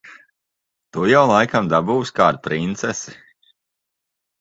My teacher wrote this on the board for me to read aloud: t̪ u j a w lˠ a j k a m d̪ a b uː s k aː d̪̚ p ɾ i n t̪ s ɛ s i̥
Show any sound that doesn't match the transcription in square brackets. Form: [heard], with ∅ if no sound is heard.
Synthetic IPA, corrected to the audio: t̪ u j a w lˠ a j k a m d̪ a b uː s k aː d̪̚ p ɾ i n t̪ s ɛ s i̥